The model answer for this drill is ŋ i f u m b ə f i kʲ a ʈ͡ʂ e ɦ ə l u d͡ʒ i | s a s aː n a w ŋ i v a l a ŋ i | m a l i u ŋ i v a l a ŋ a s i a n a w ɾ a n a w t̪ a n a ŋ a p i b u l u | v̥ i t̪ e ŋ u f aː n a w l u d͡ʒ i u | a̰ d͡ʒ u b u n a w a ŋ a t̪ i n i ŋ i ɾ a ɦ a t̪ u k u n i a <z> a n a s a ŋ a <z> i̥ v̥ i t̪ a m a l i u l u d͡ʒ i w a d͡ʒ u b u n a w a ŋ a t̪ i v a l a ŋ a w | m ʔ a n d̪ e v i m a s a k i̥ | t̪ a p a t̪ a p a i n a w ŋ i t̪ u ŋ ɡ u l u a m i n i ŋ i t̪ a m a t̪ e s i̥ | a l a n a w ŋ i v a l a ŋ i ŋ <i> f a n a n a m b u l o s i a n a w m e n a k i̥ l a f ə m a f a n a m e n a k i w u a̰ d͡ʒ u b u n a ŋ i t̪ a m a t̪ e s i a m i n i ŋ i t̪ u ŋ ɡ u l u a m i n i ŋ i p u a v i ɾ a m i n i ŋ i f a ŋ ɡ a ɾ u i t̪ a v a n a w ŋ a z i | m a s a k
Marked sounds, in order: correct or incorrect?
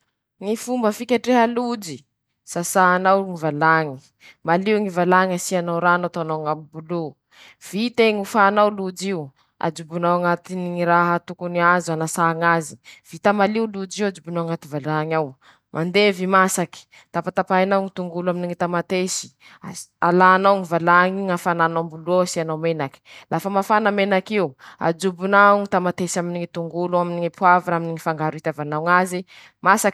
correct, correct, incorrect

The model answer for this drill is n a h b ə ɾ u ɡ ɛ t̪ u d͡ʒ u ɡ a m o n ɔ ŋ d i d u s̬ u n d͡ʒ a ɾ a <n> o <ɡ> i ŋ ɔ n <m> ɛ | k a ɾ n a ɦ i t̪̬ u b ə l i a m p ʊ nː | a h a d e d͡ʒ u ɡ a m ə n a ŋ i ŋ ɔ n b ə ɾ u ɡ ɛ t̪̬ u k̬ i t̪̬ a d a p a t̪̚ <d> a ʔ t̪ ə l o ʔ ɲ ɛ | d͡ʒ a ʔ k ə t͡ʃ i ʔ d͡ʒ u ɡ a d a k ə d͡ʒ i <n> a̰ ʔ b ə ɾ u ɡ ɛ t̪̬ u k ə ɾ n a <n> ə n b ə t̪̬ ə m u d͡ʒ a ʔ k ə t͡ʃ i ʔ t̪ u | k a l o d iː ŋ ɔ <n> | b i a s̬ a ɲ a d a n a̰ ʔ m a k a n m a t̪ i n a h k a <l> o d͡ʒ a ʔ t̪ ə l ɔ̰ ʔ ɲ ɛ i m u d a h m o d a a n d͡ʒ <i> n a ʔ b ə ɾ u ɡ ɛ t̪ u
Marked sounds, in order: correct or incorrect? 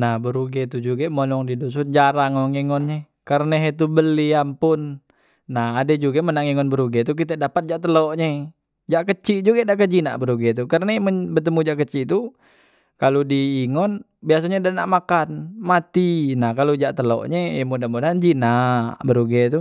incorrect, incorrect, incorrect, incorrect, correct, incorrect, correct, correct, correct

